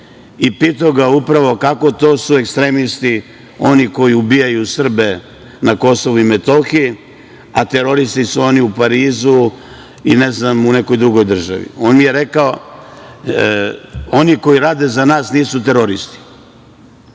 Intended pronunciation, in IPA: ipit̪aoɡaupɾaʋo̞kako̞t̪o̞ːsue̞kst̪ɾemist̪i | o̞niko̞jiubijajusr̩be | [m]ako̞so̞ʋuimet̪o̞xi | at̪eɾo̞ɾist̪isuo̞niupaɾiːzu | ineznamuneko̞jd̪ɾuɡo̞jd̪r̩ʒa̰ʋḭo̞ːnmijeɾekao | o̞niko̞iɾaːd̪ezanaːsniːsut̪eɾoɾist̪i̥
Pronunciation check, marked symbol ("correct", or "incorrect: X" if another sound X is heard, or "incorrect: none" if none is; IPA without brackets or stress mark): incorrect: n